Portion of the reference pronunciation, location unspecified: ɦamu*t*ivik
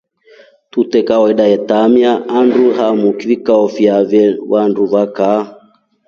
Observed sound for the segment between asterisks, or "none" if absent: k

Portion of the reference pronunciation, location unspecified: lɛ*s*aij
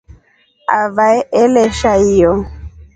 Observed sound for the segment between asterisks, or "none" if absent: ʃ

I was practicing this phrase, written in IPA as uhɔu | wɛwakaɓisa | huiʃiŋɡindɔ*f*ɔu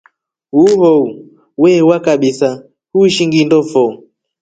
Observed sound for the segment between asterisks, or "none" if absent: f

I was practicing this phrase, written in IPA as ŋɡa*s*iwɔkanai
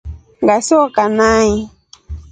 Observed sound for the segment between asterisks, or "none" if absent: s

